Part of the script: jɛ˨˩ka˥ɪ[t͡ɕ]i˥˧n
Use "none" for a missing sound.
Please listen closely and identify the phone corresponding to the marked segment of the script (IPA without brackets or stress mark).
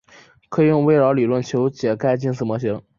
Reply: t͡ɕ